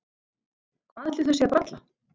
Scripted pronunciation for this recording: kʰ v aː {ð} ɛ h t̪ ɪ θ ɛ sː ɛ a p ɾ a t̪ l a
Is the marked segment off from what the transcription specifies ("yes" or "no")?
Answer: no